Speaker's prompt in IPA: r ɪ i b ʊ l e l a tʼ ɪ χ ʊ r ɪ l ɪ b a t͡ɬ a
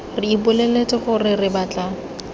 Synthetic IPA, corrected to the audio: r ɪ i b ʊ l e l e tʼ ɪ χ ʊ r ɪ r ɪ b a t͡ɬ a

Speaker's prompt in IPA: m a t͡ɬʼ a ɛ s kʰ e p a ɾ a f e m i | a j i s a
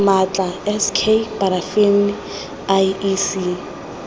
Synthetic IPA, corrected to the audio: m a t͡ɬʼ a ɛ s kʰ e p a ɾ a f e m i | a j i s i

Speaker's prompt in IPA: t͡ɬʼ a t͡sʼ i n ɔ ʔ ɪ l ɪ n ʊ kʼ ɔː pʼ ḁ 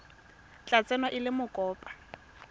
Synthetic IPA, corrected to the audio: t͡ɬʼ a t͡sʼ ɛ n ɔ ʔ ɪ l ɪ m ʊ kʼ ɔː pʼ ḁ

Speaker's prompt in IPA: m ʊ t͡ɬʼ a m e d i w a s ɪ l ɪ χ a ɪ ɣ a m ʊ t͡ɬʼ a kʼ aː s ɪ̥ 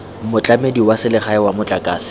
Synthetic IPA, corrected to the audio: m ʊ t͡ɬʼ a m e d i w a s ɪ l ɪ χ a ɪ w a m ʊ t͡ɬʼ a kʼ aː s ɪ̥

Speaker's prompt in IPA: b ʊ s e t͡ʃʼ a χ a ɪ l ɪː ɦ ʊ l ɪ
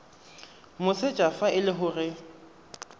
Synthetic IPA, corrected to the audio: m ʊ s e t͡ʃʼ a f a ɪ l ɪ ɦ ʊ r ɪ

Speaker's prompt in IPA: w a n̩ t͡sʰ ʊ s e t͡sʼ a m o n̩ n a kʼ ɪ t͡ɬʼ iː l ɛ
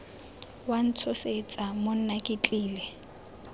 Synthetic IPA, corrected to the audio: w a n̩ t͡sʰ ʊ s e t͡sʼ a m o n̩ n a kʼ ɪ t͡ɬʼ iː l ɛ

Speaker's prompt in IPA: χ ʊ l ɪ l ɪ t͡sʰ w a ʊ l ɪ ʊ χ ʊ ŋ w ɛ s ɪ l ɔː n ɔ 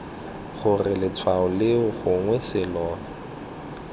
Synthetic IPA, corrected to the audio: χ ʊ r ɪ l ɪ t͡sʰ w a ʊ l ɪ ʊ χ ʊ ŋ w ɛ s ɪ l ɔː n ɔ

